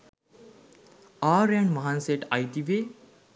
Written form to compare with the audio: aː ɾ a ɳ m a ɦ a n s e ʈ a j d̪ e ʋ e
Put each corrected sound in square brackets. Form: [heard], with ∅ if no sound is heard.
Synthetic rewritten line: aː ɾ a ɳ m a ɦ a n s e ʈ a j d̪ [i] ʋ e

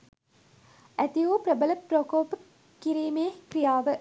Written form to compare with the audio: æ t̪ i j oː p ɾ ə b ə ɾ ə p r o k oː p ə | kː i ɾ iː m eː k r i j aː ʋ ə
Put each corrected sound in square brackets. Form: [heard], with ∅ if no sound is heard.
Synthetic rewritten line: æ t̪ i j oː p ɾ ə b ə [l] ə p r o k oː p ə | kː i ɾ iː m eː k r i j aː ʋ ə

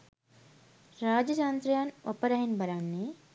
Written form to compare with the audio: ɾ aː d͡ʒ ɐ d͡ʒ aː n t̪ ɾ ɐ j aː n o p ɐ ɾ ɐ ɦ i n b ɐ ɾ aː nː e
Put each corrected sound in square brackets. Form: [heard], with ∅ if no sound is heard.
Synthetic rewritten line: ɾ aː d͡ʒ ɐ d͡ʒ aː n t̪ ɾ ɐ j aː n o p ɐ ɾ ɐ ɦ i n b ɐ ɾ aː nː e

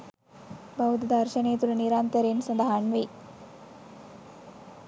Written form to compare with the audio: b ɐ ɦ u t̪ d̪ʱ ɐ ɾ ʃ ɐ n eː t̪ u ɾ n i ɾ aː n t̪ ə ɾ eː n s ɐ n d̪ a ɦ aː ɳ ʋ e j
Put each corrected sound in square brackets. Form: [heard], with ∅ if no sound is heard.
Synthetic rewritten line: b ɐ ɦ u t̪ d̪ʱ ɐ ɾ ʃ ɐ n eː t̪ u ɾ n i ɾ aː n t̪ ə ɾ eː n s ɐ n d̪ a ɦ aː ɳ ʋ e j

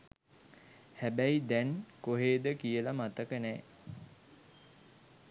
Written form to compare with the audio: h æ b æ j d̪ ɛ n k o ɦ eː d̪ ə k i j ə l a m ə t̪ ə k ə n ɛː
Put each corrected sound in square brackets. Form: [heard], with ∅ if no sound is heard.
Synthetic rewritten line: h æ b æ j d̪ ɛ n k o ɦ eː d̪ ə k i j ə l a m [a] t̪ ə k ə n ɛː

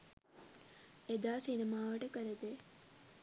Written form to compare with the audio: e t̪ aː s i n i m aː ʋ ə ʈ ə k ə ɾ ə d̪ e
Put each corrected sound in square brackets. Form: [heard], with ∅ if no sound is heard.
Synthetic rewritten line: e [d̪] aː s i n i m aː ʋ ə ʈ ə k ə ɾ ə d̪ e

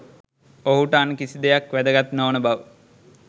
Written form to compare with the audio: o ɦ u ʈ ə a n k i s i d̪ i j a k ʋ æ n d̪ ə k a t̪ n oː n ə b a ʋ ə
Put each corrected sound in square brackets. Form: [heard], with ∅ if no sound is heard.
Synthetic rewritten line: o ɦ u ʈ ə a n k i s i d̪ [e] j a k ʋ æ [∅] d̪ ə [ɡ] a t̪ n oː n ə b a ʋ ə

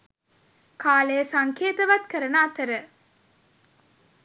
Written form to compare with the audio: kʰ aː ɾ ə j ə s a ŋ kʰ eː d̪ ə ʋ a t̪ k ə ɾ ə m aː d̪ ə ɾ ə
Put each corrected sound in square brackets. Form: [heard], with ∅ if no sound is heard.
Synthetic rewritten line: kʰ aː [l] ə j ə s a ŋ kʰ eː [t̪] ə ʋ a t̪ k ə ɾ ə [n] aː [t̪] ə ɾ ə

